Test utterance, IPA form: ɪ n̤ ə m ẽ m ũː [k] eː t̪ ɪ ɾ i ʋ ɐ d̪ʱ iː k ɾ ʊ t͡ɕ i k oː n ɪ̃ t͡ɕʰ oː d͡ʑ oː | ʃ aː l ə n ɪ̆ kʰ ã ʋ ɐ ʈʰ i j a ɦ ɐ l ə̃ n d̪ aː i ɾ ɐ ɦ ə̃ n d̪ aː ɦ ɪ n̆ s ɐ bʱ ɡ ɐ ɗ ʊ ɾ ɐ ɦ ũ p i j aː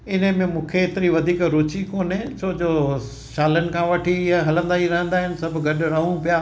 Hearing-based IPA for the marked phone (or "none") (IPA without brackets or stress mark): kʰ